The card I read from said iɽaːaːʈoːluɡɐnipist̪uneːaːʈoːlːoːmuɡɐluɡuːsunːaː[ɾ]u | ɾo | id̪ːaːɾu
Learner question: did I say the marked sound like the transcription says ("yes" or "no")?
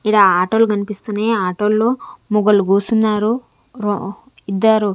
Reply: yes